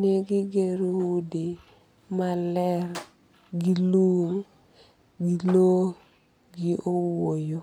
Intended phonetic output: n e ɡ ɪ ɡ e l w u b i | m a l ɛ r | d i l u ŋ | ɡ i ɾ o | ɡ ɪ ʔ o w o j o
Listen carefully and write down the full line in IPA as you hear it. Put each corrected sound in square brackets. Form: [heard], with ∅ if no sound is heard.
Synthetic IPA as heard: n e ɡ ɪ ɡ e [ɾ] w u [d] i | m a l ɛ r | [ɡ] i l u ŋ | ɡ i [l] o | ɡ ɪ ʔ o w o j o